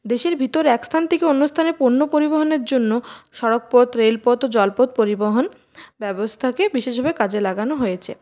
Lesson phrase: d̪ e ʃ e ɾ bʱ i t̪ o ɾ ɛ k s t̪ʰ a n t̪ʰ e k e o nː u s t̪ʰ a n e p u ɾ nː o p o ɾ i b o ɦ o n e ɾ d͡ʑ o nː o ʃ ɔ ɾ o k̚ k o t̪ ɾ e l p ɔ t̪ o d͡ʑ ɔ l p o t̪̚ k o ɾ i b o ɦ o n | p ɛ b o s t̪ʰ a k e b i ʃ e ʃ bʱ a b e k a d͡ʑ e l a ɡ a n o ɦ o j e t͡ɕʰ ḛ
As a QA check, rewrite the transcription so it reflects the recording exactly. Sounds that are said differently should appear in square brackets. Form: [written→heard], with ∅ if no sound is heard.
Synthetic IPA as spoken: d̪ e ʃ e ɾ bʱ i t̪ o ɾ ɛ k s t̪ʰ a n t̪ʰ e k e o nː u s t̪ʰ a n e p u ɾ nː o p o ɾ i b o ɦ o n e ɾ d͡ʑ o nː o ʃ ɔ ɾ o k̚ [k→p] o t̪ ɾ e l p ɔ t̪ o d͡ʑ ɔ l p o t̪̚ [k→p] o ɾ i b o ɦ o n | [p→b] ɛ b o s t̪ʰ a k e b i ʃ e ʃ bʱ a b e k a d͡ʑ e l a ɡ a n o ɦ o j e t͡ɕʰ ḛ